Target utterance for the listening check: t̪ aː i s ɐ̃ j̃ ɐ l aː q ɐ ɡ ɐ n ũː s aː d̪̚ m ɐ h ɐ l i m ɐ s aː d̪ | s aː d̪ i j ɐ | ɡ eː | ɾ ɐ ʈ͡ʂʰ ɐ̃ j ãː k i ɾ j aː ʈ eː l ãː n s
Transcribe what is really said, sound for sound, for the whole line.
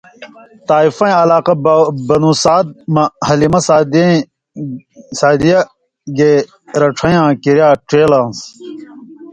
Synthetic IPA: t̪ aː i f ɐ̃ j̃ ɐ l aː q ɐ b ɐ n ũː s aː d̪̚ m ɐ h ɐ l i m ɐ s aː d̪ | s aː d̪ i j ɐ | ɡ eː | ɾ ɐ ʈ͡ʂʰ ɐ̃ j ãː k i ɾ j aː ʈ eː l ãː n s